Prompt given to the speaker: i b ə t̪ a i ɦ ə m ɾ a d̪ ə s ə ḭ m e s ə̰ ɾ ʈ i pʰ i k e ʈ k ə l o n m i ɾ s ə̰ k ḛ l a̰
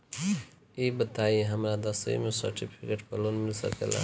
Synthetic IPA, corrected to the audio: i b ə t̪ a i ɦ ə m ɾ a d̪ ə s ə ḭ m e s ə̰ ɾ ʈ i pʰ i k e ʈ p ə l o n m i l s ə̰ k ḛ l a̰